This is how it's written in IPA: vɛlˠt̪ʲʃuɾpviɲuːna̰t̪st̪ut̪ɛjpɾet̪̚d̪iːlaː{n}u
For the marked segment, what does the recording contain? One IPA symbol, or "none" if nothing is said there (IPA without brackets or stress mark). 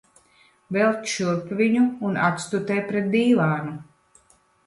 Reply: n